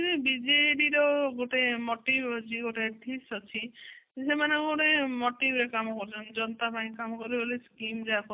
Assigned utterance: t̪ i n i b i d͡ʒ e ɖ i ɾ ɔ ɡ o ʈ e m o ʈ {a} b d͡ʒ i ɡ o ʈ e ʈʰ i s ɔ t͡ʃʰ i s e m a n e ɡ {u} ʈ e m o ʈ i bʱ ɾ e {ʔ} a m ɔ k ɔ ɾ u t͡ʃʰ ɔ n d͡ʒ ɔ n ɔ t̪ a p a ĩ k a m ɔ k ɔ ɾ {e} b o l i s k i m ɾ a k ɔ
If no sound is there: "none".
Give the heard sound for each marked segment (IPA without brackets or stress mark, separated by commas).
i, o, k, i